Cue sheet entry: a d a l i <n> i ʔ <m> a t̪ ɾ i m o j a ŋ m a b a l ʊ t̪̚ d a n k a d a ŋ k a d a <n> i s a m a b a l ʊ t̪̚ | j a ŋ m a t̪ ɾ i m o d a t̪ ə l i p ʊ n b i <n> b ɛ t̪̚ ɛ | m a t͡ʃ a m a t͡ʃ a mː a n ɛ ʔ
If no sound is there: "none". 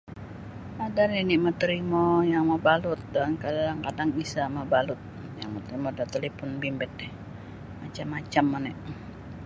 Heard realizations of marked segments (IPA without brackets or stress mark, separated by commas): n, m, ŋ, m